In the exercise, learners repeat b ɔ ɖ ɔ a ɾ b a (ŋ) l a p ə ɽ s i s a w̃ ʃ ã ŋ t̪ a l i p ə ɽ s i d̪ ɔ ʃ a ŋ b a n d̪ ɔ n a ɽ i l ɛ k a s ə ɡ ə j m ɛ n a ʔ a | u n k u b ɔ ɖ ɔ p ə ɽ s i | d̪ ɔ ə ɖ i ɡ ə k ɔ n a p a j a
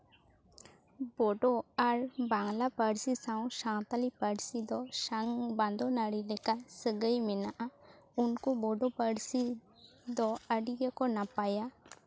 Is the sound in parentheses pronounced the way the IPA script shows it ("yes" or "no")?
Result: yes